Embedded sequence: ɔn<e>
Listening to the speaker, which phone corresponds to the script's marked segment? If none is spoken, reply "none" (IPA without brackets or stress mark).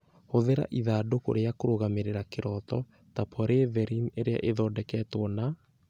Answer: a